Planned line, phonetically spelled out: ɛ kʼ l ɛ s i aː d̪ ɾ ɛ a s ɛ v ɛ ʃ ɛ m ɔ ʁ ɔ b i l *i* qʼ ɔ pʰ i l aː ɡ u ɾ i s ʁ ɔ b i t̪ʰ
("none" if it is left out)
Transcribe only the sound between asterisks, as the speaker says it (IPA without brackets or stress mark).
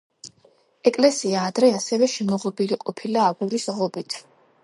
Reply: i